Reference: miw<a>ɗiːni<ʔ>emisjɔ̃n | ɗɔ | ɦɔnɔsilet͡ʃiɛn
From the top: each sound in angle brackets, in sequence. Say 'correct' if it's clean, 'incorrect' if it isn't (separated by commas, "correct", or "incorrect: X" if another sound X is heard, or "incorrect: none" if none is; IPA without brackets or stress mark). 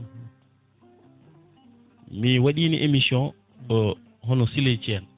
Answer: correct, correct